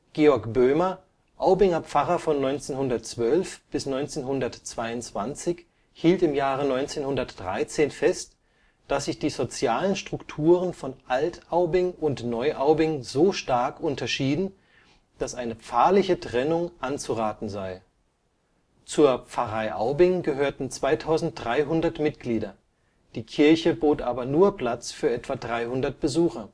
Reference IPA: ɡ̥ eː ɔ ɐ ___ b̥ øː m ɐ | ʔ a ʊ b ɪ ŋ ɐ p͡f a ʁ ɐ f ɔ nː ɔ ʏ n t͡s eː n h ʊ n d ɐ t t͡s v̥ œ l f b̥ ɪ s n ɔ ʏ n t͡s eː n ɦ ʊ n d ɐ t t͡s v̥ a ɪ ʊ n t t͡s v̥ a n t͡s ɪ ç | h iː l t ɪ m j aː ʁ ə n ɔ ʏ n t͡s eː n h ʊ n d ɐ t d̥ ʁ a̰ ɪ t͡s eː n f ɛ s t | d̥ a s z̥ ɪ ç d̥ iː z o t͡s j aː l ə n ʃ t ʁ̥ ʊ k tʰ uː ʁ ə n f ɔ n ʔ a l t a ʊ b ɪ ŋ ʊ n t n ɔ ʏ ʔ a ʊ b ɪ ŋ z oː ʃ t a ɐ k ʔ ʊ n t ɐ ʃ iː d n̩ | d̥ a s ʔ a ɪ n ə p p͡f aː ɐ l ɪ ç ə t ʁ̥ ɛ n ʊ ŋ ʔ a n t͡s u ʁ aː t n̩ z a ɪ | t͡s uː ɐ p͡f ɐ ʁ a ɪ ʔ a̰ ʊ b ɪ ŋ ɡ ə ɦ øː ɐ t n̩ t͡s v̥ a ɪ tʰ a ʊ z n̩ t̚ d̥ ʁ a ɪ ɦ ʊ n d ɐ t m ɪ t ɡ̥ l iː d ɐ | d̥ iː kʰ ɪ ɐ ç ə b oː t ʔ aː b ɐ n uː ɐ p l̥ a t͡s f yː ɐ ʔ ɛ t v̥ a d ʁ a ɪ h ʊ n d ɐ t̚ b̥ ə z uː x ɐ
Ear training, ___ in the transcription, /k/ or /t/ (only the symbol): k